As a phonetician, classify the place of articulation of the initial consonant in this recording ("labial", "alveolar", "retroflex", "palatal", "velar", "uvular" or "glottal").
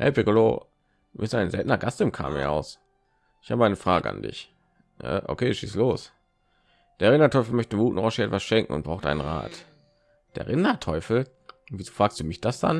glottal